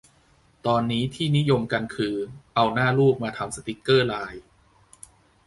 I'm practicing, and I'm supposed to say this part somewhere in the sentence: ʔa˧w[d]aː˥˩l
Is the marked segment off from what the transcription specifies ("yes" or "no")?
yes